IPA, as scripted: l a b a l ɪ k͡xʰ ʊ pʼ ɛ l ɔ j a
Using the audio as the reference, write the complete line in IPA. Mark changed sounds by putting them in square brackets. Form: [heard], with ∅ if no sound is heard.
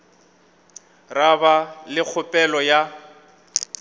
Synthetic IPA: [r] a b a l ɪ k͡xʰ ʊ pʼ ɛ l ɔ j a